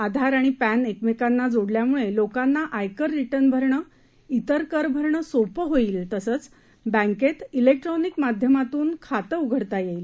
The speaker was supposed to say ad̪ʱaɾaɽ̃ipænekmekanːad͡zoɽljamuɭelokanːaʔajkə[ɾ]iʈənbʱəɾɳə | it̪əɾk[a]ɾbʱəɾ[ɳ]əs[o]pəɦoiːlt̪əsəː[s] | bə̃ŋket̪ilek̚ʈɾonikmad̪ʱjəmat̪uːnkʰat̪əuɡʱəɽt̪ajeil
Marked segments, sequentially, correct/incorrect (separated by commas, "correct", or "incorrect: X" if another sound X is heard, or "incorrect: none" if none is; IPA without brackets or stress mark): incorrect: ɾː, incorrect: ə, correct, correct, incorrect: t͡s